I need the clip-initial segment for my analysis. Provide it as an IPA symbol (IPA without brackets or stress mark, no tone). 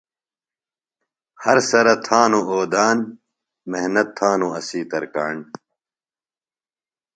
h